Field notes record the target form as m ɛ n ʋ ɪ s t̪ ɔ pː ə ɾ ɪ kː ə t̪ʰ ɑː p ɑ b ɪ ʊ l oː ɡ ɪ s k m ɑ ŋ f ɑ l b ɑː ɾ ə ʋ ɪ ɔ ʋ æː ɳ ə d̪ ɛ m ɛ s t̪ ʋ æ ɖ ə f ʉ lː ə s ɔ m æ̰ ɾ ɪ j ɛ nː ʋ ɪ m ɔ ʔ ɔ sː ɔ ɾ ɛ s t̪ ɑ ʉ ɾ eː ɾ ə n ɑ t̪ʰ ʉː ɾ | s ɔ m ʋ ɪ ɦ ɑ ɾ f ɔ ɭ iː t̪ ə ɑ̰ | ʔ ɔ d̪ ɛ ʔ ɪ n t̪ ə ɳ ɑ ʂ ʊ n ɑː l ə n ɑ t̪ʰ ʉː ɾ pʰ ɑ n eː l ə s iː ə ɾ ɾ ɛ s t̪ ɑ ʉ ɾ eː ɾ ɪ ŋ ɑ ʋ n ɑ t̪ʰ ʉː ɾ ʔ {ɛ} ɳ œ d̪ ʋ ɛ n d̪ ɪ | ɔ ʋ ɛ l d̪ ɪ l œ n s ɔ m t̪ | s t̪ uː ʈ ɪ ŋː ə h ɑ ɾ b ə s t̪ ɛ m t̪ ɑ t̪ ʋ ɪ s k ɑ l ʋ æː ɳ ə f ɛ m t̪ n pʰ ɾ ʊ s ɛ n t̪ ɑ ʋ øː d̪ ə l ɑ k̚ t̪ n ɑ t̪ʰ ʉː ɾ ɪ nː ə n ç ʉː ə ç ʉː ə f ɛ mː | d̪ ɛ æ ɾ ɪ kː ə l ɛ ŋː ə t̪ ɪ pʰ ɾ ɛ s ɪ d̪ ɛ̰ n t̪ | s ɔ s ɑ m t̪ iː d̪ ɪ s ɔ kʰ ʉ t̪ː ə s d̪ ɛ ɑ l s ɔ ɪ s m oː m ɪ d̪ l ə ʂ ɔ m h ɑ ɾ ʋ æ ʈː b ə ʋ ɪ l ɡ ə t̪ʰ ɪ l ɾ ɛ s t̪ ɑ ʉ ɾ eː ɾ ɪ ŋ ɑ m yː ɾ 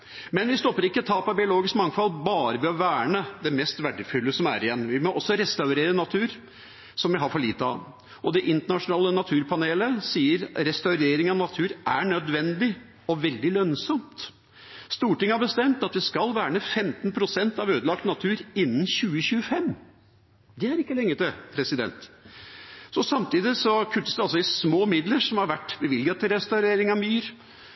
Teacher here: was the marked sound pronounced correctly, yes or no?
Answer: no